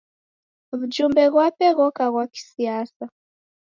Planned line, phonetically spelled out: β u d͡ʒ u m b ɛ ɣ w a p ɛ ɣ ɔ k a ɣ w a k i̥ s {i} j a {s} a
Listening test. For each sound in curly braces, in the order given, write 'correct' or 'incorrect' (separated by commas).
correct, correct